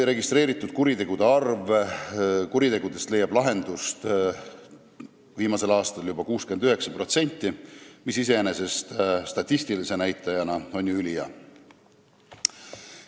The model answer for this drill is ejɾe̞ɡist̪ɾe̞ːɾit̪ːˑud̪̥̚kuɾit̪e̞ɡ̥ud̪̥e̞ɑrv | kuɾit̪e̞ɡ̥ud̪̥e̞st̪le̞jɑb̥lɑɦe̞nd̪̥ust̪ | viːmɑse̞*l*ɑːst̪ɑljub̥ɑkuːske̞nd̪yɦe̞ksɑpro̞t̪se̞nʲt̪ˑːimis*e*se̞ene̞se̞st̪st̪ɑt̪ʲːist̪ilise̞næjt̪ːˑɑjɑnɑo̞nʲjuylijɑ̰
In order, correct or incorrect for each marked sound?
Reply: correct, incorrect: i

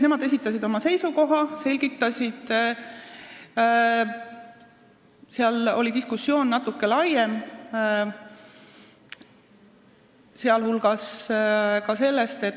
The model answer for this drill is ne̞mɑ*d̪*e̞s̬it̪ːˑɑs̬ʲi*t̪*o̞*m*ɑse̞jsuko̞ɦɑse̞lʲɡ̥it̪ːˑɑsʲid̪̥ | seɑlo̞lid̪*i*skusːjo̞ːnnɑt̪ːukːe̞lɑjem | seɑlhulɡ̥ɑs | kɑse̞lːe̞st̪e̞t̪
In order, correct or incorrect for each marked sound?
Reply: correct, incorrect: d̪, correct, correct

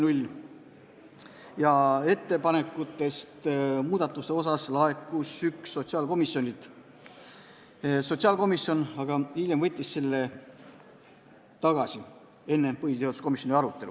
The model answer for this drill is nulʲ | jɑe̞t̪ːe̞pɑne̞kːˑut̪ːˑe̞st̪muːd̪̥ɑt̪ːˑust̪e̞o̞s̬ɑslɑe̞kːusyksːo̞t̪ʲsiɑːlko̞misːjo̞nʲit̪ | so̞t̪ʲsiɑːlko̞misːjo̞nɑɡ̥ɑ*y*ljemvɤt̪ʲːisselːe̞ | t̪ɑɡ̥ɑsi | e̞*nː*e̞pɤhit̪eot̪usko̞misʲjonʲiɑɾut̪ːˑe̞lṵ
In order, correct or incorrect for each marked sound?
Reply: incorrect: i, correct

